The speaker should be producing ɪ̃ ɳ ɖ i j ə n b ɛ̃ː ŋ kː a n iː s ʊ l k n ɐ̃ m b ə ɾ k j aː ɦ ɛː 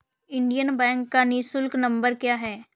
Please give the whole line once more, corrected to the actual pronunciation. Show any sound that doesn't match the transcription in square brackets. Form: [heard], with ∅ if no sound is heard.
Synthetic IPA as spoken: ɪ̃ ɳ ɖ i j ə n b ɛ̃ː ŋ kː a n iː s ʊ l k n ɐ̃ m b ə ɾ k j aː ɦ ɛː

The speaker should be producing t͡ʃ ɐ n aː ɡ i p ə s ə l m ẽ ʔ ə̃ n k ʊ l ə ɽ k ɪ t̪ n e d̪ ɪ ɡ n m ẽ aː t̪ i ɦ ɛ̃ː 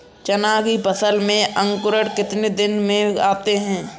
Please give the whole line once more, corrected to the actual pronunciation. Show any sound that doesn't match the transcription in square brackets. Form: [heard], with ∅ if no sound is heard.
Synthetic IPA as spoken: t͡ʃ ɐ n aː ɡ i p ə s ə l m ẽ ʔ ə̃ [ŋ] k ʊ [ɾ] ə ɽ k ɪ t̪ n e d̪ ɪ [∅] n m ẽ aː t̪ [e] ɦ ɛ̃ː

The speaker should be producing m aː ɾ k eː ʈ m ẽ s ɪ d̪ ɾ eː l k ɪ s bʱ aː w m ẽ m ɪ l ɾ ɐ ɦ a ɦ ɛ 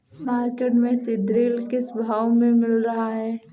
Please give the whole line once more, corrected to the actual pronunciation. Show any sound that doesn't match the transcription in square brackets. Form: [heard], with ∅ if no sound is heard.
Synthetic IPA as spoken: m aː ɾ k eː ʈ m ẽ s ɪ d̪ ɾ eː l k ɪ s bʱ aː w m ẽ m ɪ l ɾ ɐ ɦ a ɦ [ɛː]

